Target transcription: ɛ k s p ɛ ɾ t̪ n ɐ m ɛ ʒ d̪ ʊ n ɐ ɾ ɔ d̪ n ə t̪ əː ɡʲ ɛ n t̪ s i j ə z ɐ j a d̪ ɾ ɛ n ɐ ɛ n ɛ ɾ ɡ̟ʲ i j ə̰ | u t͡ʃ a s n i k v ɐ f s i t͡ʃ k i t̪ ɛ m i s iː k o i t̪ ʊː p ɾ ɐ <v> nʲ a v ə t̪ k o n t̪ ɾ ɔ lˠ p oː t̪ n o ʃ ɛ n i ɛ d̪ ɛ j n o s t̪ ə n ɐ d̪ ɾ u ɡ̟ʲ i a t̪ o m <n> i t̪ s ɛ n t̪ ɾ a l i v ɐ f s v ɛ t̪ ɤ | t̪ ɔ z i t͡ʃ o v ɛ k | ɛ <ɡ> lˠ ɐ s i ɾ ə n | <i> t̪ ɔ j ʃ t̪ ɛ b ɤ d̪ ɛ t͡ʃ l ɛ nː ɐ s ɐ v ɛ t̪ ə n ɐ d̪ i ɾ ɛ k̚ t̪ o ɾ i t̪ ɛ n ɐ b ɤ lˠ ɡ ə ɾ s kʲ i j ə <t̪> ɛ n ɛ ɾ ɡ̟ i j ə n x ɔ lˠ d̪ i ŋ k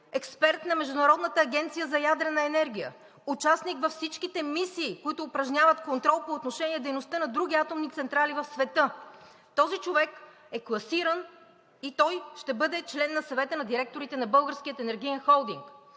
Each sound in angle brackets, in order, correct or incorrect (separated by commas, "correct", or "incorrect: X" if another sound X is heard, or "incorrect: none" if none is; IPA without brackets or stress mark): incorrect: ʒ, correct, incorrect: k, correct, correct